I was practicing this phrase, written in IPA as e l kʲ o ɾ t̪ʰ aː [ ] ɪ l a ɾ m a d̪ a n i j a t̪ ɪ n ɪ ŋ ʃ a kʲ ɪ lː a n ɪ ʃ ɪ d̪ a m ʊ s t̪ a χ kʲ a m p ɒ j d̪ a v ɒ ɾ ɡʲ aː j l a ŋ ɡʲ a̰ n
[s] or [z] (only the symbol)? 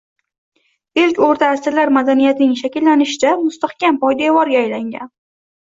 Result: s